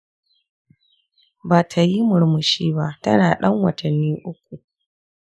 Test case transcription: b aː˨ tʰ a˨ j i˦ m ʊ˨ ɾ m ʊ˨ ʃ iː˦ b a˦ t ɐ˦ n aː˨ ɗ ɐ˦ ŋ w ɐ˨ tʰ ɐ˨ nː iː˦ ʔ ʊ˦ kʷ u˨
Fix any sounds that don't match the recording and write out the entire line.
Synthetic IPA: b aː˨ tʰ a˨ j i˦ m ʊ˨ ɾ m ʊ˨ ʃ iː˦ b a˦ t ɐ˦ n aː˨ ɗ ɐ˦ ŋ w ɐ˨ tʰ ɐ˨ nː iː˦ ʔ ʊ˦ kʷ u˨